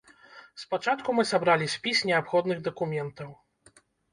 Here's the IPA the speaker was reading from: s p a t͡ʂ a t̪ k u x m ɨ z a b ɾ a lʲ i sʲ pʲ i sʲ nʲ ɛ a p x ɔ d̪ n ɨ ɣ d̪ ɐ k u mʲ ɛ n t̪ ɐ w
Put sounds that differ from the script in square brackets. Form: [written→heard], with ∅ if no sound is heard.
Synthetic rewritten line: s p a t͡ʂ a t̪ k u [x→∅] m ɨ [z→s] a b ɾ a lʲ i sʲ pʲ i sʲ nʲ ɛ a p x ɔ d̪ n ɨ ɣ d̪ ɐ k u mʲ ɛ n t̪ ɐ w